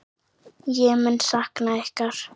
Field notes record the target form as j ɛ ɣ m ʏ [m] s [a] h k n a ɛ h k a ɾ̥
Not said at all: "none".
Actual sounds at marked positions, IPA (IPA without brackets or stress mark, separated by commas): n, a